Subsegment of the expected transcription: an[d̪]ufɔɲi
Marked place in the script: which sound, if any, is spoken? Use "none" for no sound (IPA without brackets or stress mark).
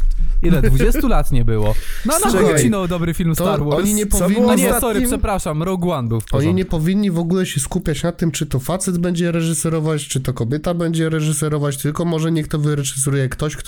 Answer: d̪